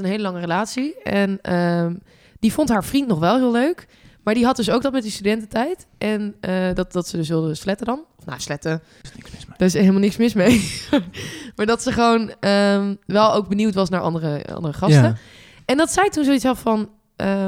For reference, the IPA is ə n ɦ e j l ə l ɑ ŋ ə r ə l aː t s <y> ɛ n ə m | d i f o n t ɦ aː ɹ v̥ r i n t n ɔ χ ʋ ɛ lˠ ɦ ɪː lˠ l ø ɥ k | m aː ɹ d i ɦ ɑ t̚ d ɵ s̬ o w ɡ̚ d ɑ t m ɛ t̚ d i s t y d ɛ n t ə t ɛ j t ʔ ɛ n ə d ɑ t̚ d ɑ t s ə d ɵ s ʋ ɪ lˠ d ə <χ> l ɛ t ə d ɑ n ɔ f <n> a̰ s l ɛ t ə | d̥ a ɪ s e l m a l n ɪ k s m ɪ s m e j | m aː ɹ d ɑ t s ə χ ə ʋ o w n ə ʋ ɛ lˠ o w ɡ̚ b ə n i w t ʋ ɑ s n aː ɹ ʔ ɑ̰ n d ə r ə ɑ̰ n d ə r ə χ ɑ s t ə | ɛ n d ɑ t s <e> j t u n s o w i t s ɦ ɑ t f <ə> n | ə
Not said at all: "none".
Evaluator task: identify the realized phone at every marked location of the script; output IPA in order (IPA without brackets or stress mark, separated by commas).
i, s, n, ɛ, ɑ